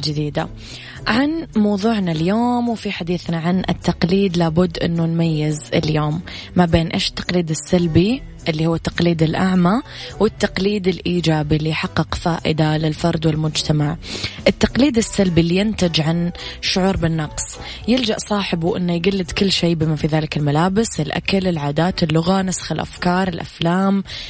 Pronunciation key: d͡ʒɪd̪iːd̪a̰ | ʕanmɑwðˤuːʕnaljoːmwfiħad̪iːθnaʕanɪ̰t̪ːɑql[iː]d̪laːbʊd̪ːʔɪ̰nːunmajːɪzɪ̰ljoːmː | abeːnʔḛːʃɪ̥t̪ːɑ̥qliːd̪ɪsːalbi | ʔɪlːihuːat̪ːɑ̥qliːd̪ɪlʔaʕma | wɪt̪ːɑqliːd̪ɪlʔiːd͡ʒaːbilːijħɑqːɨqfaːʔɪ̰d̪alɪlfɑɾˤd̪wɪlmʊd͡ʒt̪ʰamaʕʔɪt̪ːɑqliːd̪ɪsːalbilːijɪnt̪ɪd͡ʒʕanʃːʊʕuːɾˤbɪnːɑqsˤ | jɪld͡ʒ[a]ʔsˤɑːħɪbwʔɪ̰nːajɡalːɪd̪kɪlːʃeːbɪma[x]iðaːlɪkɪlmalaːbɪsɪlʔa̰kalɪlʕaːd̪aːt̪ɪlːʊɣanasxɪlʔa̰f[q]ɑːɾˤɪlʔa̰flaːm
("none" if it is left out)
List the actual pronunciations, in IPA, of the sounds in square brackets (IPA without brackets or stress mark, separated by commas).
iː, a, f, k